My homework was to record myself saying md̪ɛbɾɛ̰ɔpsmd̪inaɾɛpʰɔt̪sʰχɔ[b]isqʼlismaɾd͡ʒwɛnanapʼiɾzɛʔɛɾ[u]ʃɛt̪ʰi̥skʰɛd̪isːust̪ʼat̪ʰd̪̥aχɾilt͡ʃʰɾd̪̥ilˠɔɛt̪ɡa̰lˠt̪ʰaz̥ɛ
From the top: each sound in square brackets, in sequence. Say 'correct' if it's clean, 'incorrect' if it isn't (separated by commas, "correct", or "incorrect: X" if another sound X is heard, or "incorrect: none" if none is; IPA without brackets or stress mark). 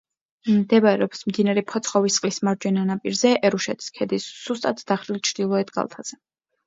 incorrect: v, correct